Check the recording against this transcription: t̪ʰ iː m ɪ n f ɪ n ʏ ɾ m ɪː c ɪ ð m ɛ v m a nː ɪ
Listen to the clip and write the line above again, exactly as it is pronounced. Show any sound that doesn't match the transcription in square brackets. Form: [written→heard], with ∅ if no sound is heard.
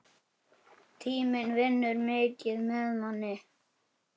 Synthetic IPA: t̪ʰ iː m ɪ n [f→v] ɪ [n→nː] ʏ ɾ m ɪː c ɪ ð m ɛ [v→ð] m a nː ɪ